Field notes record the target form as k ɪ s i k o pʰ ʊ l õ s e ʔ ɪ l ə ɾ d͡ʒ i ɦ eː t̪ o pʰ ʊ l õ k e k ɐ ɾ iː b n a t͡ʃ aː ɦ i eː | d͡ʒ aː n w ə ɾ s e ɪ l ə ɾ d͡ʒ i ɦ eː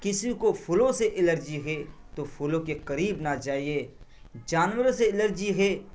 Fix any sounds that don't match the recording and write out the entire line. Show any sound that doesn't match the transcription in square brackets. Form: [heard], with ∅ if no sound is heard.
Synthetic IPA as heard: k ɪ s i k o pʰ ʊ l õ s e ʔ ɪ l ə ɾ d͡ʒ i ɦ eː t̪ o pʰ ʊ l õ k e k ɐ ɾ iː b n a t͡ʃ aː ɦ i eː | d͡ʒ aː n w ə ɾ s e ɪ l ə ɾ d͡ʒ i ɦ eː